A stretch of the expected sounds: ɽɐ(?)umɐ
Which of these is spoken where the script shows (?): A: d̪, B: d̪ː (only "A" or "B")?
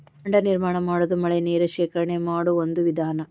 A